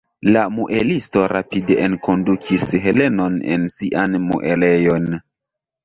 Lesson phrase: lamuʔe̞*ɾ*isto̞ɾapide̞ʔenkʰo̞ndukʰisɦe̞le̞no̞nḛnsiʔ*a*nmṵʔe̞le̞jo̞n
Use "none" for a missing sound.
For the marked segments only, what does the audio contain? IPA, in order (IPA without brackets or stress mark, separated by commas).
l, a